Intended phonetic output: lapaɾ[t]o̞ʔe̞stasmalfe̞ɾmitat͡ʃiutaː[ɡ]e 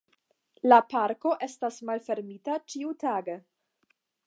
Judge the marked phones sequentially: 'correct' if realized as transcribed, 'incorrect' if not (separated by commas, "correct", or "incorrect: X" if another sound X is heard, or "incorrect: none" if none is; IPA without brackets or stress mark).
incorrect: k, correct